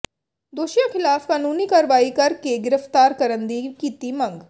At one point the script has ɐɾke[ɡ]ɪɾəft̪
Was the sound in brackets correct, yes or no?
yes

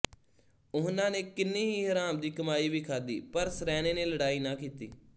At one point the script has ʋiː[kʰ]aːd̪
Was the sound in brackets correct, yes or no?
yes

